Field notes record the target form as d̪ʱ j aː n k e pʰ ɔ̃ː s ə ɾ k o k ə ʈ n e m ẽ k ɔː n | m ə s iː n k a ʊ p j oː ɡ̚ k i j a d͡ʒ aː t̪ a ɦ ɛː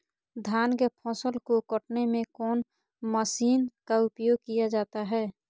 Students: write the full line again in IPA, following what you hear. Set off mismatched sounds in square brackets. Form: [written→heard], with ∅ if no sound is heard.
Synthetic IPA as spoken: d̪ʱ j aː n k e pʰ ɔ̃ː s ə [ɾ→l] k o k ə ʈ n e m ẽ k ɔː n | m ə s iː n k a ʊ p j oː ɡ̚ k i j a d͡ʒ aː t̪ a ɦ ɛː